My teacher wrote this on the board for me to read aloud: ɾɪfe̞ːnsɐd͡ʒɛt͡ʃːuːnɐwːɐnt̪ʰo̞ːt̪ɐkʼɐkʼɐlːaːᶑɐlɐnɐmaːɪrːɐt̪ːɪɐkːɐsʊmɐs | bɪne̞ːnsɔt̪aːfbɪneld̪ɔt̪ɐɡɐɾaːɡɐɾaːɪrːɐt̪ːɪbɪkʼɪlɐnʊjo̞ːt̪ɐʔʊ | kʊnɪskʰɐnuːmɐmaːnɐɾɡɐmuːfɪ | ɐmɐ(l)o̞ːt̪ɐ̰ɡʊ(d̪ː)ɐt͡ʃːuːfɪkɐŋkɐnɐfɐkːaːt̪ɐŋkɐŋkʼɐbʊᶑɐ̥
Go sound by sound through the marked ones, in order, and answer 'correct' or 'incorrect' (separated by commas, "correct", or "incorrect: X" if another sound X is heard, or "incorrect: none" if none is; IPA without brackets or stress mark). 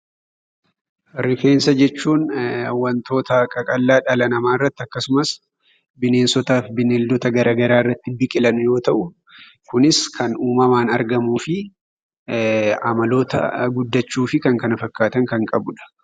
correct, correct